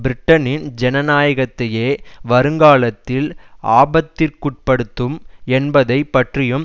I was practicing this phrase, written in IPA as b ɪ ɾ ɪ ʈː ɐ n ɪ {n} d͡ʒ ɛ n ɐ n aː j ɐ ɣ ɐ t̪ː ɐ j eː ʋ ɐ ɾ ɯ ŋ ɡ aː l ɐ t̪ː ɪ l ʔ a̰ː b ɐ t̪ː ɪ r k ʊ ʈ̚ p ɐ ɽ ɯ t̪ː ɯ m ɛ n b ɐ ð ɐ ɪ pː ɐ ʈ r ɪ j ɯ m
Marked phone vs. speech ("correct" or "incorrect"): correct